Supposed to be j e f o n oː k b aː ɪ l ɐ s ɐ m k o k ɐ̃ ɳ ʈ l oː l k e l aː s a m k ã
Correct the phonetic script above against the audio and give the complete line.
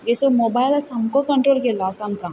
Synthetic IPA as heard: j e s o m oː b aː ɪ l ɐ s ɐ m k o k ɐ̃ ɳ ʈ ɾ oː l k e l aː s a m k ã

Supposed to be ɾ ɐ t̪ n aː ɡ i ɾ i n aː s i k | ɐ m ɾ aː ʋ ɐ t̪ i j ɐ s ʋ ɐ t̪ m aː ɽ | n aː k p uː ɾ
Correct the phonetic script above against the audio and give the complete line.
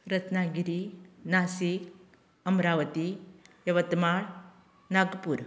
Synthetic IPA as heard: ɾ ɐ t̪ n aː ɡ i ɾ i n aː s i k | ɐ m ɾ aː ʋ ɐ t̪ i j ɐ ʋ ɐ t̪ m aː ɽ | n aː ɡ p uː ɾ

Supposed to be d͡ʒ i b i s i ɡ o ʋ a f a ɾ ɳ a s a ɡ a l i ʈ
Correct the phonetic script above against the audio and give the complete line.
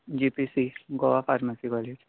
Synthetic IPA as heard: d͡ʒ i p i s i ɡ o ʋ a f a ɾ m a s i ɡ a l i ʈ

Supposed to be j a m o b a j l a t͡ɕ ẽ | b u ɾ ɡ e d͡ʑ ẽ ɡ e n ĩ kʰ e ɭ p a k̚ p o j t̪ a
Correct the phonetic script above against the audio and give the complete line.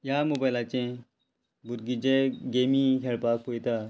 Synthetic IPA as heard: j a m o b a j l a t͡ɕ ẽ | b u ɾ ɡ i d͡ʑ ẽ ɡ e m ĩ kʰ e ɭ p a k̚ p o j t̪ a

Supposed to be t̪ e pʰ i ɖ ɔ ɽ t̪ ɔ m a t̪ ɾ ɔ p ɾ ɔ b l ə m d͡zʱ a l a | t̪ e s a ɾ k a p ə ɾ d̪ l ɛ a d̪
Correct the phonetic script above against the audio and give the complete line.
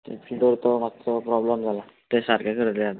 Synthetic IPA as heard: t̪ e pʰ i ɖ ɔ ɾ t̪ ɔ m a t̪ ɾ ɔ p ɾ ɔ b l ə m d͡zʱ a l a | t̪ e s a ɾ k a k ə ɾ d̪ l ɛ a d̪

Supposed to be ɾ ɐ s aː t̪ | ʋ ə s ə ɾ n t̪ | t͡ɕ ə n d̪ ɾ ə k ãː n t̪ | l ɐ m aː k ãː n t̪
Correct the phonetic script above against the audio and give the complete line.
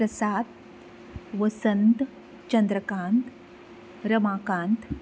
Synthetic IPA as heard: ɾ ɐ s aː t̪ | ʋ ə s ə n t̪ | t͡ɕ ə n d̪ ɾ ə k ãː n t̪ | ɾ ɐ m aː k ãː n t̪

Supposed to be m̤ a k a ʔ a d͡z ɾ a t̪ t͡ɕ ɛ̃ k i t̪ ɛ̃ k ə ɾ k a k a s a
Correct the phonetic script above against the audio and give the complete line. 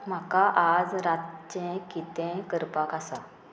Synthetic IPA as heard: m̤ a k a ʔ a d͡z ɾ a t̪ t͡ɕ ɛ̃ k i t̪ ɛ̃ k ə ɾ p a k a s a

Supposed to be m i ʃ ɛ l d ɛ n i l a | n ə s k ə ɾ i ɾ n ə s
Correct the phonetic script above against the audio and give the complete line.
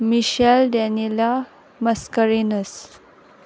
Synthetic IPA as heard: m i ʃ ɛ l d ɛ n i l a | m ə s k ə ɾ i n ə s

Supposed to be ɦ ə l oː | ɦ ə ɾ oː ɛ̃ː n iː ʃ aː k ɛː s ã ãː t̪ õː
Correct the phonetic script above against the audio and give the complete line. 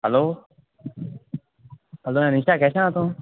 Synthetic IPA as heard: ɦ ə l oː | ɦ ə l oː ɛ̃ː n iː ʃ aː k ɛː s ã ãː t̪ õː

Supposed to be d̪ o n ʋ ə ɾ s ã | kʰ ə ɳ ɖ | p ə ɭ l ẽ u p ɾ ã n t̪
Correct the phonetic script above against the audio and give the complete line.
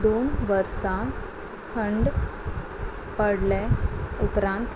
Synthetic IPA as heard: d̪ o n ʋ ə ɾ s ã | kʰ ə ɳ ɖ | p ə ɽ l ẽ u p ɾ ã n t̪

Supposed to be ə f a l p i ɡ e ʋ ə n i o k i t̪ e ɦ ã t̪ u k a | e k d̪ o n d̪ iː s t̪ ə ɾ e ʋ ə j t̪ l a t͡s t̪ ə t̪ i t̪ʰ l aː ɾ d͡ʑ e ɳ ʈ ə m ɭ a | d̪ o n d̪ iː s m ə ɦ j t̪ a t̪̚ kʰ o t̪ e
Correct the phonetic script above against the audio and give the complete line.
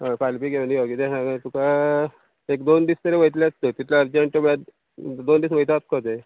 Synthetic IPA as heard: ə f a l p i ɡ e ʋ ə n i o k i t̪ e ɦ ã t̪ u k a | e k d̪ o n d̪ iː s t̪ ə ɾ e ʋ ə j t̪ l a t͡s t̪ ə t̪ i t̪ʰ l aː ɾ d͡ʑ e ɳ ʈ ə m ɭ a | d̪ o n d̪ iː s m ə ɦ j t̪ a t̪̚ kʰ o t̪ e

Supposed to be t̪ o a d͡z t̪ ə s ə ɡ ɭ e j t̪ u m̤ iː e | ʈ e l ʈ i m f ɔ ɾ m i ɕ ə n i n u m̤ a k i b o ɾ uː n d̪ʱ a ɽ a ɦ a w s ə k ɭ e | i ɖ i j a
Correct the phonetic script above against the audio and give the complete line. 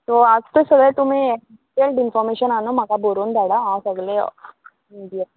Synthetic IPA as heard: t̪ o a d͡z t̪ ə s ə ɡ ɭ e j t̪ u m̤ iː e | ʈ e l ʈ i n f ɔ ɾ m e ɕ ə n a n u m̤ a k a b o ɾ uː n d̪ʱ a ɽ a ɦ a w s ə ɡ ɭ e | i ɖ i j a

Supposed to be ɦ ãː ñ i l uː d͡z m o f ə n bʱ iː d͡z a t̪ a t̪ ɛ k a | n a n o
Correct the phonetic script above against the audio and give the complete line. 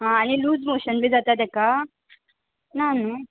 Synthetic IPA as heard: ɦ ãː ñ i l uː d͡z m o ɕ ə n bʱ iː d͡z a t̪ a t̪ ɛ k a | n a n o

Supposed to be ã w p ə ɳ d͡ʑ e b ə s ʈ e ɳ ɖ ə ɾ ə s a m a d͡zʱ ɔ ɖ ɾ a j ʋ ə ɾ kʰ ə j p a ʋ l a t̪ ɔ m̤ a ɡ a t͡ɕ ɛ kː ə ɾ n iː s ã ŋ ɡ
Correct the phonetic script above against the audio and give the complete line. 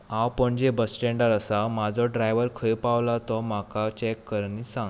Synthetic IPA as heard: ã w p ə ɳ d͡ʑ e b ə s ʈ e ɳ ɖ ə ɾ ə s a m a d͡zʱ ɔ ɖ ɾ a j ʋ ə ɾ kʰ ə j p a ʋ l a t̪ ɔ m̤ a k a t͡ɕ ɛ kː ə ɾ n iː s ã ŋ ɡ

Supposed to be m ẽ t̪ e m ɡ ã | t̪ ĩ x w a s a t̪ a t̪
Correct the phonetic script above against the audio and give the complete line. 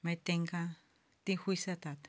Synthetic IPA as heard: m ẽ t̪ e ŋ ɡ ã | t̪ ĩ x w i s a t̪ a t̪

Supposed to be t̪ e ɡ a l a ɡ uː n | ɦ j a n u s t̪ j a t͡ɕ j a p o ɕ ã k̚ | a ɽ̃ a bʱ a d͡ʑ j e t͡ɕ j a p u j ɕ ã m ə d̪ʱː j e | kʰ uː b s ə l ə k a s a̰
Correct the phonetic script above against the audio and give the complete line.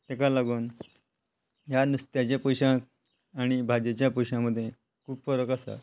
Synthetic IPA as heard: t̪ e k a l a ɡ uː n | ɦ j a n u s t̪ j a t͡ɕ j a p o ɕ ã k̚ | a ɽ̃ i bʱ a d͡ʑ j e t͡ɕ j a p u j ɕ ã m ə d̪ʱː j e | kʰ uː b f ə ɾ ə k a s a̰

